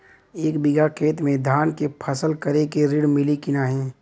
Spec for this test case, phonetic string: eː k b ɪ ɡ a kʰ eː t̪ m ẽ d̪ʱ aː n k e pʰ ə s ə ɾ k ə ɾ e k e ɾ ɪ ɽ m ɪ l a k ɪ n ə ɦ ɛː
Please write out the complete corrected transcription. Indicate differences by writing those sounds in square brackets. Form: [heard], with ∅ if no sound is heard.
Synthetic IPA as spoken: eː k b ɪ ɡ a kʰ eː t̪ m ẽ d̪ʱ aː n k e pʰ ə s ə [l] k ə ɾ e k e ɾ ɪ ɽ m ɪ l [i] k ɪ n [a] ɦ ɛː